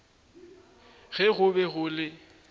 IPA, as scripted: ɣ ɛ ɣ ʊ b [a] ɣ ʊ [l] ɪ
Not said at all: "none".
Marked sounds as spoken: ɛ, l

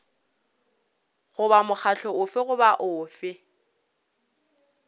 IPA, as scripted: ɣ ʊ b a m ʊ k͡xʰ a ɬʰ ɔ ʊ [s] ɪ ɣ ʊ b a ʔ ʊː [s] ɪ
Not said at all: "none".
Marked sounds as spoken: f, f

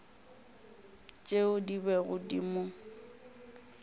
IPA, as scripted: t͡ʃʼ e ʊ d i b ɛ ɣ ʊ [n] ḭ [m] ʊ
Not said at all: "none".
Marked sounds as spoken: d, m

